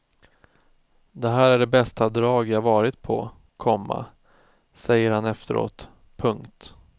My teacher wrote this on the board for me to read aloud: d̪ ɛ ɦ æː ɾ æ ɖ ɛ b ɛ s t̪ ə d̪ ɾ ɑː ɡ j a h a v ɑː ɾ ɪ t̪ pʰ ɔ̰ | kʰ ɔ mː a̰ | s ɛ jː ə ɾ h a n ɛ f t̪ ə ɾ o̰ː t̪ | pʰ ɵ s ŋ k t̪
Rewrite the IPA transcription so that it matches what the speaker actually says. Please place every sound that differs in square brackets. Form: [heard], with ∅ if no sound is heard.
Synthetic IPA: d̪ ɛ ɦ æː ɾ æ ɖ ɛ b ɛ s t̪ [a] d̪ ɾ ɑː ɡ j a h a v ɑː ɾ ɪ t̪ pʰ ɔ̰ | kʰ ɔ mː a̰ | s ɛ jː ə ɾ h a n ɛ f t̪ ə ɾ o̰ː t̪ | pʰ ɵ [∅] ŋ k t̪